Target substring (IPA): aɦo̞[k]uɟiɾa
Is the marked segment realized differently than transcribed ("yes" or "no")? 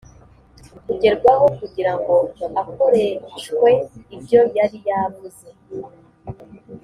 no